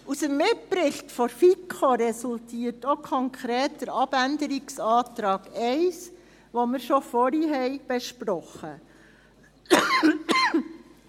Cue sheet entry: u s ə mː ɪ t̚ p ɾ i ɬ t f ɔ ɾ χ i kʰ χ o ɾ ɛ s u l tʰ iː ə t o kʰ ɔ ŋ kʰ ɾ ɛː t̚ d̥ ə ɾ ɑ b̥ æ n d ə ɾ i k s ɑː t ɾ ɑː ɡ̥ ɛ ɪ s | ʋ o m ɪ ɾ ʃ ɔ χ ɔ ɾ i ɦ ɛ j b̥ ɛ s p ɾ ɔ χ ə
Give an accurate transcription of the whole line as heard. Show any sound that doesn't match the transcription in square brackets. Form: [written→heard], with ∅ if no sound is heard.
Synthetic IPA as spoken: u s ə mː ɪ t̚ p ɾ [i→ɪ] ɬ t f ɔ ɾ [χ→f] i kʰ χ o ɾ ɛ s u l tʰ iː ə t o kʰ ɔ ŋ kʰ ɾ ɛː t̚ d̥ ə ɾ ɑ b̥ æ n d ə ɾ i k s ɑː t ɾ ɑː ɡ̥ ɛ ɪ s | ʋ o m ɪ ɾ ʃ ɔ [χ→f] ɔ ɾ i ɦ ɛ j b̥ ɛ [s→ʃ] p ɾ ɔ χ ə